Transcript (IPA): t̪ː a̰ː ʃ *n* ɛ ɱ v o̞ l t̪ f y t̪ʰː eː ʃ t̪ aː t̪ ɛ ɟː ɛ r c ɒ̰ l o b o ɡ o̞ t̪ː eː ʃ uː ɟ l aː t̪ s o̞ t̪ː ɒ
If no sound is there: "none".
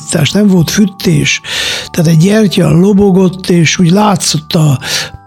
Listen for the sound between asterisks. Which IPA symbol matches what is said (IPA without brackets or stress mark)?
n